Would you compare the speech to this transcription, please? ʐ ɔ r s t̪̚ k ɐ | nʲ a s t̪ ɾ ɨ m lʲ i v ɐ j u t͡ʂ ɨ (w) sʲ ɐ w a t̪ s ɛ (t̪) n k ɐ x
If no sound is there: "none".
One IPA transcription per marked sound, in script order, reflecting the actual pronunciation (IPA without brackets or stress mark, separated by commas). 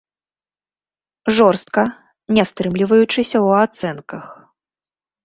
none, none